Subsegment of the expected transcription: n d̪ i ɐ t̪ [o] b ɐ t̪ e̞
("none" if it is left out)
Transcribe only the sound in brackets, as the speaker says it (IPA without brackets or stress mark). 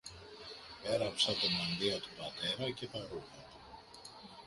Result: u